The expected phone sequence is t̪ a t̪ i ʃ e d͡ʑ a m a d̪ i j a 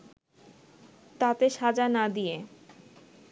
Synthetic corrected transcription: t̪ a t̪ e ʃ a d͡ʑ a n a d̪ i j e